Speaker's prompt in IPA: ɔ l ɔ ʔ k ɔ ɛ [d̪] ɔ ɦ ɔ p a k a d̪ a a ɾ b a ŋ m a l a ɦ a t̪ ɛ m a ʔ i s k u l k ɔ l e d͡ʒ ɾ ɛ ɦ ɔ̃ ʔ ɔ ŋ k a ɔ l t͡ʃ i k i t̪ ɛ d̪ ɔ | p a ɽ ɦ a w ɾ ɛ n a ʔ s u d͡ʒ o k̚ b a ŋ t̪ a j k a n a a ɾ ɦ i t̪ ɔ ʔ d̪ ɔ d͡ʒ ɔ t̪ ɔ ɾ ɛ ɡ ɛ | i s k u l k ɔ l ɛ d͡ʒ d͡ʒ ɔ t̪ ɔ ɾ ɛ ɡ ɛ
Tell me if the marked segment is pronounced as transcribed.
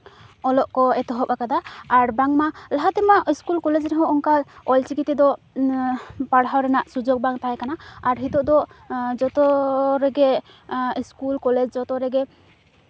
no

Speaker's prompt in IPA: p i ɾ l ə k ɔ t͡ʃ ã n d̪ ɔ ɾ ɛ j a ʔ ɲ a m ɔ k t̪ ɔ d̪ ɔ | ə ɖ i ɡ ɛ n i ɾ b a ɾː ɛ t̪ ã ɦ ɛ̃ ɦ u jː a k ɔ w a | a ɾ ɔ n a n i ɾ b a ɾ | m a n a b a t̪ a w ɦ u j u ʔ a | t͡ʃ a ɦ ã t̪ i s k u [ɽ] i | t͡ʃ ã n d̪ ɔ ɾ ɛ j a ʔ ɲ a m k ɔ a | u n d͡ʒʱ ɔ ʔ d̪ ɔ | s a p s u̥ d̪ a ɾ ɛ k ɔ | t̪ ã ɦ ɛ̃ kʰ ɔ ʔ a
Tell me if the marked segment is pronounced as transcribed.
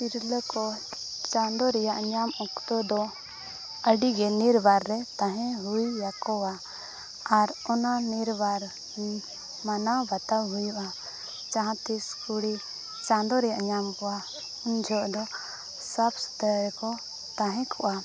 yes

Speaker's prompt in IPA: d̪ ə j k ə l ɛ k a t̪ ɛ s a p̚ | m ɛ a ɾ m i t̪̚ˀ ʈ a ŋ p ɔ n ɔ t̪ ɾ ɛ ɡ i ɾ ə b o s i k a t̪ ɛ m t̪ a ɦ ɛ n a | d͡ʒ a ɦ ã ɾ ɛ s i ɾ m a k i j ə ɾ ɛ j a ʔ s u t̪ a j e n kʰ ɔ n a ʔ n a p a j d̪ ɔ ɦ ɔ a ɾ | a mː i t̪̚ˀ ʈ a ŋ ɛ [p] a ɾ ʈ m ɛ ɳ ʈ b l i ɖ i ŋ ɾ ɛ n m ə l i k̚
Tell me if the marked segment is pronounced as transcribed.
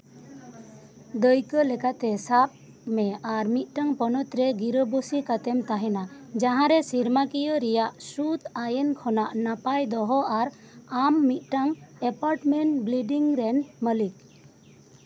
yes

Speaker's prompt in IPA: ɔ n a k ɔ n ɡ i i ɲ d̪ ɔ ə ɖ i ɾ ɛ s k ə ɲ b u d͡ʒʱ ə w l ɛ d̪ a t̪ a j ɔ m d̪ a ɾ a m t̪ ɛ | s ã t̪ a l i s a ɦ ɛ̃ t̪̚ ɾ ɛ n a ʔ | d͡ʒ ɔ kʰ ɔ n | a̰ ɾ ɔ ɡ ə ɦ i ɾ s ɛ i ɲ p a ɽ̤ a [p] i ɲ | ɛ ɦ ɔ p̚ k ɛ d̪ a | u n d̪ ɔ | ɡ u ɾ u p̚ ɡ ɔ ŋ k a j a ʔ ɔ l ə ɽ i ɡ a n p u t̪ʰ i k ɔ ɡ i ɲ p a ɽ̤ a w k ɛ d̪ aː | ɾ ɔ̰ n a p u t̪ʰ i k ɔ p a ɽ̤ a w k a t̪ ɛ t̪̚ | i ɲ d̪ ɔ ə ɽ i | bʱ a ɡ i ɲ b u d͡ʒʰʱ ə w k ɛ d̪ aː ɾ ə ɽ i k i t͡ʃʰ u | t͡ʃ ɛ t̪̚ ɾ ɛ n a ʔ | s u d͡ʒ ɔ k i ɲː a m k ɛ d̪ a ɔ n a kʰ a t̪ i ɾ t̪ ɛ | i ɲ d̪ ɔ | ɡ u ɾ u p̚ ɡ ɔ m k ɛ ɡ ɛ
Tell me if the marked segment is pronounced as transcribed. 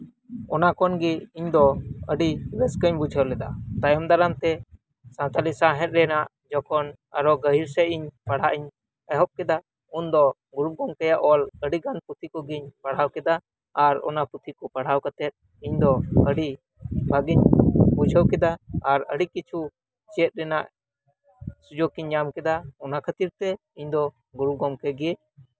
no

